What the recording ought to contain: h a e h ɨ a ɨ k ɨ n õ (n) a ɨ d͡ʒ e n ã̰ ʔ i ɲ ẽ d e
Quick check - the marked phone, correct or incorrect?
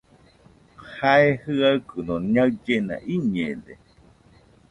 incorrect